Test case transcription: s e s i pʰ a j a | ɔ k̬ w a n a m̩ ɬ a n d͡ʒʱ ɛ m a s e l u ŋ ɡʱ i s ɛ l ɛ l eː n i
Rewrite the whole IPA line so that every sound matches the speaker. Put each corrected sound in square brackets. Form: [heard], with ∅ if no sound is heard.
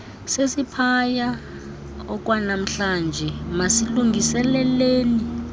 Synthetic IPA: s e s i pʰ a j a | ɔ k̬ w a n a m̩ ɬ a n d͡ʒʱ ɛ m a s [i] l u ŋ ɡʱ i s ɛ l ɛ l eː n i

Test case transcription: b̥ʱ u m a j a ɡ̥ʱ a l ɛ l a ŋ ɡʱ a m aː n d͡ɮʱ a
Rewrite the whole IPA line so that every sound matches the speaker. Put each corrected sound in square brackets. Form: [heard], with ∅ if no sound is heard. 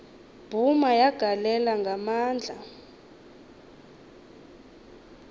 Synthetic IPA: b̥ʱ u m a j a ɡ̥ʱ a l ɛ l a ŋ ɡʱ a m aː n d͡ɮʱ a

